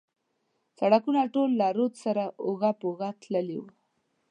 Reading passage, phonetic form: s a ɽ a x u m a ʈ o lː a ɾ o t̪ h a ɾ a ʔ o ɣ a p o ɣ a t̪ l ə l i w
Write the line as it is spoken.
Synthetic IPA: s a ɽ a k u n a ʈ o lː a ɾ o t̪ s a ɾ a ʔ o ɣ a p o ɣ a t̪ l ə l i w